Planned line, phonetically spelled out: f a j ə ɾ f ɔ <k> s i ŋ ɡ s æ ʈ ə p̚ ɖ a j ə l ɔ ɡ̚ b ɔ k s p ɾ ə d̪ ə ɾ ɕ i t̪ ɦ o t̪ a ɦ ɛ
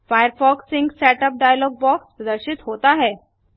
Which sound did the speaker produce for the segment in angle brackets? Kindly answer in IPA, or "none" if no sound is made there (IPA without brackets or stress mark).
k